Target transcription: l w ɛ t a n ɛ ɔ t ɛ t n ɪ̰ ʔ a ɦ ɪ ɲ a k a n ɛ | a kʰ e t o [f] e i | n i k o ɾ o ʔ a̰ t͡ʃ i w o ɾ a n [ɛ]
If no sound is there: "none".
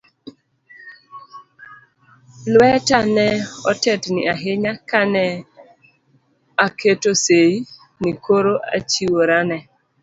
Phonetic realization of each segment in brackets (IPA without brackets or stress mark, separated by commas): s, ɛ